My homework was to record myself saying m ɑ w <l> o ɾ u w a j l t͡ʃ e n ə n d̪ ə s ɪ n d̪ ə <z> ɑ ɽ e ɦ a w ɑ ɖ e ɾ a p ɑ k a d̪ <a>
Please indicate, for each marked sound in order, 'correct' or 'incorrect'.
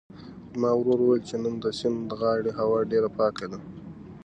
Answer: incorrect: ɾ, incorrect: ɣ, correct

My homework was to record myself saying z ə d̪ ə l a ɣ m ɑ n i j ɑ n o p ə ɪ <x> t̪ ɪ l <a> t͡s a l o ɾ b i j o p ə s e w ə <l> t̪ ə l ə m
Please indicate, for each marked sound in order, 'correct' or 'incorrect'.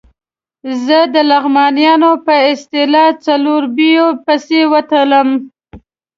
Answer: incorrect: s, incorrect: ɑ, incorrect: none

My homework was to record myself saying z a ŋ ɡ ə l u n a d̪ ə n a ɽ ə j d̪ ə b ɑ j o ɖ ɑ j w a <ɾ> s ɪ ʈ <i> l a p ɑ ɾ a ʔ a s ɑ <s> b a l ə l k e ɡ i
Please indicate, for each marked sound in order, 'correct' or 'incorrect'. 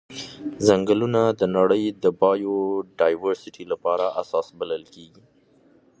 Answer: correct, correct, correct

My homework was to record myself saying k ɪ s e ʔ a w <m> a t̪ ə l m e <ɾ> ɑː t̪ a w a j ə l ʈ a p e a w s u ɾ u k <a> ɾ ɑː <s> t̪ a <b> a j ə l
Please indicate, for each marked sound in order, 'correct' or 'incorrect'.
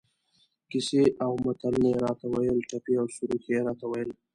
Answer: correct, correct, incorrect: e, incorrect: none, incorrect: w

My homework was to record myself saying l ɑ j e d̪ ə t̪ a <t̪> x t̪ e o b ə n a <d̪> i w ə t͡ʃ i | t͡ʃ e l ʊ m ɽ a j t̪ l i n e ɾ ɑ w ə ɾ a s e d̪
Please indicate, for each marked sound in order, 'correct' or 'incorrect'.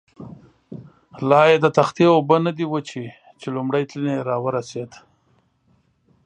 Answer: incorrect: none, correct

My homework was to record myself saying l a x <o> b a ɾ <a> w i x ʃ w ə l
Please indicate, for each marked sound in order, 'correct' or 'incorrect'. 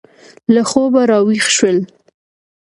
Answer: correct, incorrect: ɑ

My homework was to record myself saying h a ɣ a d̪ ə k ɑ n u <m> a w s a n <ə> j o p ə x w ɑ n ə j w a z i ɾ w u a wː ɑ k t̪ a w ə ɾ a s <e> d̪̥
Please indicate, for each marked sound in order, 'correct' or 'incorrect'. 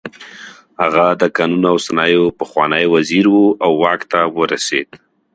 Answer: incorrect: n, incorrect: ɑ, correct

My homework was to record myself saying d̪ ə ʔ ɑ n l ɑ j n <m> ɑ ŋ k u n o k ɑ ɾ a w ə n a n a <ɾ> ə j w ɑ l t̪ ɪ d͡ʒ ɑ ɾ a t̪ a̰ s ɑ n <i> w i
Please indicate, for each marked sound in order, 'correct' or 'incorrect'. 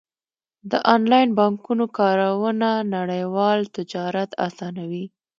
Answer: incorrect: b, incorrect: ɽ, incorrect: a

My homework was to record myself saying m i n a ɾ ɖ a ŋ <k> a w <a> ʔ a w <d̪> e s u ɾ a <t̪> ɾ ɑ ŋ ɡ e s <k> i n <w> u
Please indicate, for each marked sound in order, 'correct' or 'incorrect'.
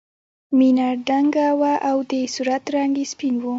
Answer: incorrect: ɡ, correct, correct, correct, incorrect: p, correct

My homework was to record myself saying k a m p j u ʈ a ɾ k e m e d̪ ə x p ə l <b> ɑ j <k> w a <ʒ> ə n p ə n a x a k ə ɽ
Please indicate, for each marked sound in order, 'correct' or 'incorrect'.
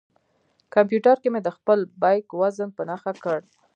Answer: correct, correct, incorrect: z

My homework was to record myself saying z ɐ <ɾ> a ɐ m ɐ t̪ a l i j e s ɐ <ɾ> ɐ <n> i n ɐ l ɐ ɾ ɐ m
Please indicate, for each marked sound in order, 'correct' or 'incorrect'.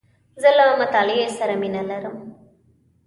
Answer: incorrect: l, correct, incorrect: m

